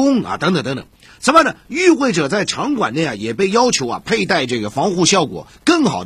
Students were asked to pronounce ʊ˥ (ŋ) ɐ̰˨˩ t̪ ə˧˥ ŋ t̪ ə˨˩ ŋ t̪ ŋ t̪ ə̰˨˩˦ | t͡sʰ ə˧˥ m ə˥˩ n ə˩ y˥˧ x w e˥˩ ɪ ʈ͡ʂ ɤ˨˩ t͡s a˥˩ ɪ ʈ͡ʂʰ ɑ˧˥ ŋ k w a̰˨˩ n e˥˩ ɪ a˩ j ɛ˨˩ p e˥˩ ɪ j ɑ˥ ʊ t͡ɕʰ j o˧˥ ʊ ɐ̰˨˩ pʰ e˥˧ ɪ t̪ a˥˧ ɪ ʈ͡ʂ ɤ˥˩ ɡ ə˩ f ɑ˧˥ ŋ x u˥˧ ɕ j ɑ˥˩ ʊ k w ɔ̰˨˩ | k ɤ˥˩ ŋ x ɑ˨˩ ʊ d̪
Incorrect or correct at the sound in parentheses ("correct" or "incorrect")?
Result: correct